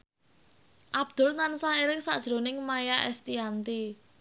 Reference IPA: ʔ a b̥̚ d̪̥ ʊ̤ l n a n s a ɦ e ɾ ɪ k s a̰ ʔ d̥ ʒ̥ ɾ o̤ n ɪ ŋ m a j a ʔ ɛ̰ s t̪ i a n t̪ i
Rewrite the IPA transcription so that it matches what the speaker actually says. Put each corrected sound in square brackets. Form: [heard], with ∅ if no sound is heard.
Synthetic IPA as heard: ʔ a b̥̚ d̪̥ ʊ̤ l n a n s a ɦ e ɾ ɪ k s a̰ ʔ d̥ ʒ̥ ɾ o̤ n ɪ ŋ m a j a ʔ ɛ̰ s t̪ i a n t̪ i